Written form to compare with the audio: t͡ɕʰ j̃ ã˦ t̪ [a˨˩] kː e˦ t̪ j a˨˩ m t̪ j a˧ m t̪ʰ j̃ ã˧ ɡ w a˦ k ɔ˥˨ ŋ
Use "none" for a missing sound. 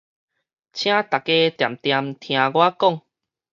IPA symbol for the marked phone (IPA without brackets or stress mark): a˨˩